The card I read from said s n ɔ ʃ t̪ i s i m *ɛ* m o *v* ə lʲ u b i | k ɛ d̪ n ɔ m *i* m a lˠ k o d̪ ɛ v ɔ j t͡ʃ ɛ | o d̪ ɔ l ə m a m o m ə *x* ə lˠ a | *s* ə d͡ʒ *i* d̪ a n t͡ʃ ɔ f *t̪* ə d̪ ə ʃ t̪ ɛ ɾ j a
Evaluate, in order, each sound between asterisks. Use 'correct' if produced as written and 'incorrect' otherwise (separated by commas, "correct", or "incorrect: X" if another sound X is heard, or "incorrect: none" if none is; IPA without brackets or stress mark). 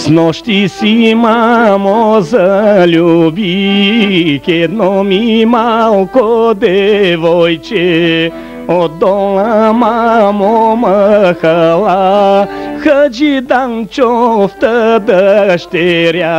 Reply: incorrect: a, incorrect: z, correct, correct, incorrect: x, correct, correct